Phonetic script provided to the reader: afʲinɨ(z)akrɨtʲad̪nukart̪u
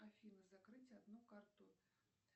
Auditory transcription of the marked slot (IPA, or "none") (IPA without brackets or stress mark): z